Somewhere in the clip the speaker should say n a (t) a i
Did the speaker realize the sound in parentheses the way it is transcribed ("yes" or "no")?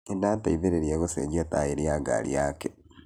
yes